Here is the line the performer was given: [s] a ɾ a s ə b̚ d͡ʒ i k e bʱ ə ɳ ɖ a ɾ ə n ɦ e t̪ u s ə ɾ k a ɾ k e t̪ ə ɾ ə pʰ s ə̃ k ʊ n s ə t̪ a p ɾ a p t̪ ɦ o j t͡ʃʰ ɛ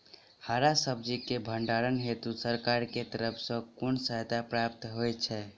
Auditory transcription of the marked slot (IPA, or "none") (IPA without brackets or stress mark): h